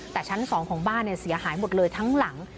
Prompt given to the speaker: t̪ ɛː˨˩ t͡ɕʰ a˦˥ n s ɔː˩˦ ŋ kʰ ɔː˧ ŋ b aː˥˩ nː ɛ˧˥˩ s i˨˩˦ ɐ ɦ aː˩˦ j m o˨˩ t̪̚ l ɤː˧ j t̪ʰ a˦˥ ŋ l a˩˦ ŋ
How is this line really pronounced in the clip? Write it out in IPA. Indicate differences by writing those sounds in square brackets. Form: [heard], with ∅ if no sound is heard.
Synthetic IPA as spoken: t̪ ɛː˨˩ t͡ɕʰ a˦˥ n s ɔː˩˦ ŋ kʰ [ɔː˩˦] ŋ b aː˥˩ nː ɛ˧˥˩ s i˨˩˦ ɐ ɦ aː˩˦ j m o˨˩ t̪̚ l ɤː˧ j t̪ʰ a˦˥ ŋ l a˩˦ ŋ